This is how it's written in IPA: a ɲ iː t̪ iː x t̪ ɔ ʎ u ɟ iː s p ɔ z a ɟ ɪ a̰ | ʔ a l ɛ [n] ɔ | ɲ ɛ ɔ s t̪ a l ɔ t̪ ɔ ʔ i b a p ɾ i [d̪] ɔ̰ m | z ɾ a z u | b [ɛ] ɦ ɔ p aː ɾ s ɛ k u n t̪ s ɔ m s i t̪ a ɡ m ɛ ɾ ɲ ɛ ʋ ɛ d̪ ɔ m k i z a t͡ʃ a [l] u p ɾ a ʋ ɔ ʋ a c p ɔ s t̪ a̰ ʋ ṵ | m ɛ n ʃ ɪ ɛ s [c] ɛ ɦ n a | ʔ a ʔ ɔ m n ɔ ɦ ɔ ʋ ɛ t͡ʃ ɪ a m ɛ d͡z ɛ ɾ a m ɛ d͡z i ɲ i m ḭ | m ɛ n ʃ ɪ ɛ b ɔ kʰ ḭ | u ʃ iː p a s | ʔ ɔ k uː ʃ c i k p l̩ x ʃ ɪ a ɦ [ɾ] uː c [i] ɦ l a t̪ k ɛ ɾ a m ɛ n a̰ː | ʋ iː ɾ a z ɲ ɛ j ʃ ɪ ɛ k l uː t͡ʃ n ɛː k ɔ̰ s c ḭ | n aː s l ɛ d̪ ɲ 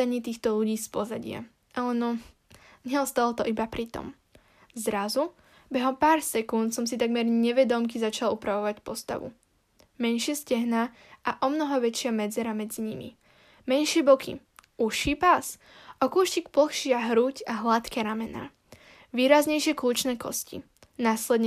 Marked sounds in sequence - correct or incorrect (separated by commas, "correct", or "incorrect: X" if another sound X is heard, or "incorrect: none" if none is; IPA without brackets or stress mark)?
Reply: correct, incorrect: t̪, correct, correct, correct, correct, incorrect: a